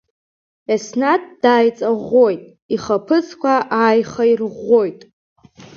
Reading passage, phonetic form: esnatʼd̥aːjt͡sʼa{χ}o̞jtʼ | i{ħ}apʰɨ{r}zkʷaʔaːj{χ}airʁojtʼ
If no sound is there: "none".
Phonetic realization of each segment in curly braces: ʁ, χ, none, χ

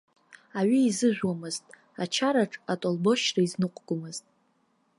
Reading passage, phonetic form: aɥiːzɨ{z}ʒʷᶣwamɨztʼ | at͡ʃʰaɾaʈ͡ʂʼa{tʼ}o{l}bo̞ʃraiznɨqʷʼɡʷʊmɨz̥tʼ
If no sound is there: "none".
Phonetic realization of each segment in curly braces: none, tʼ, l

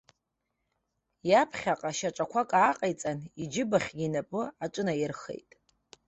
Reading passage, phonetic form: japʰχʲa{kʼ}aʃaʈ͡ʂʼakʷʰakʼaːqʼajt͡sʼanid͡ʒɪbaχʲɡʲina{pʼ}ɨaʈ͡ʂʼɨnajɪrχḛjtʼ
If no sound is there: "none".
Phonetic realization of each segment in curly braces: qʼ, pʼ

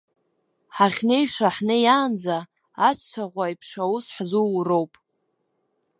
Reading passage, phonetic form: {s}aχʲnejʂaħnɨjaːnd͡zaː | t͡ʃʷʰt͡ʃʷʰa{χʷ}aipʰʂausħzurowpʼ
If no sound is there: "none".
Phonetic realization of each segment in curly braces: ħ, ʁʷ

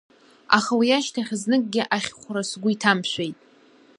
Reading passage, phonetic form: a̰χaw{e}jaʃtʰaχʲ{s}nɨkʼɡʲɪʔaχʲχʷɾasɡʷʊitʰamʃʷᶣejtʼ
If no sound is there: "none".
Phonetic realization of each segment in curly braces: i, z

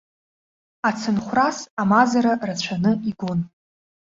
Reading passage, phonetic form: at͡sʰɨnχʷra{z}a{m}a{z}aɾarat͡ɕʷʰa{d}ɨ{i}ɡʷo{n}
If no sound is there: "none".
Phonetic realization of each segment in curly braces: s, m, z, n, i, n

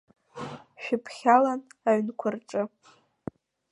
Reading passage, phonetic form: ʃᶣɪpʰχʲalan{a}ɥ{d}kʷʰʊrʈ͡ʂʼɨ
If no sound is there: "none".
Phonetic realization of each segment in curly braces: a, n

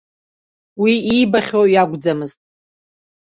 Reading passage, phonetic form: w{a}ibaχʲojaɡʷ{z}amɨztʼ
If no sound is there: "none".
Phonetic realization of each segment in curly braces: i, d͡z

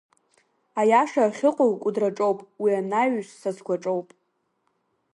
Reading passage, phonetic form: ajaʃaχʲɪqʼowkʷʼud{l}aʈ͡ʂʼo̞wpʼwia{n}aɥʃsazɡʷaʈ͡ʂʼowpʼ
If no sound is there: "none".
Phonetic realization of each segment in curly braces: r, n

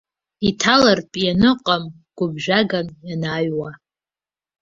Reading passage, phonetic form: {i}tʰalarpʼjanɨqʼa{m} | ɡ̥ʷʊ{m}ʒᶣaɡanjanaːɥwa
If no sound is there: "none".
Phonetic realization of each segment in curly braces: i, m, b

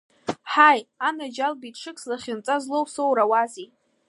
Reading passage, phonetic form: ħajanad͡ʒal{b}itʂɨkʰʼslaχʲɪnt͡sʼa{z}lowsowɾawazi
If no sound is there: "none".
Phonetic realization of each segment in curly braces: b, z

